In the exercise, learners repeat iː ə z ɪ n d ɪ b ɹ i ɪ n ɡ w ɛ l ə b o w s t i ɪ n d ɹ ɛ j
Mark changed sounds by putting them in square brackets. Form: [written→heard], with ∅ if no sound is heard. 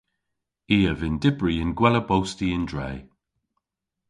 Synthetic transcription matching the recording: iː ə [z→v] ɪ n d ɪ b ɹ i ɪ n ɡ w ɛ l ə b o w s t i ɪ n d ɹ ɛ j